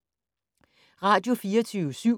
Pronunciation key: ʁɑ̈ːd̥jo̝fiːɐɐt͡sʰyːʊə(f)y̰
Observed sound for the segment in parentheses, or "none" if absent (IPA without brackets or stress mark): s